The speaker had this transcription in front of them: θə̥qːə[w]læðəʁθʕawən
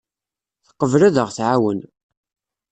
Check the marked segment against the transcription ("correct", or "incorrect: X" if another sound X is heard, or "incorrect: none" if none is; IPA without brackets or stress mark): incorrect: v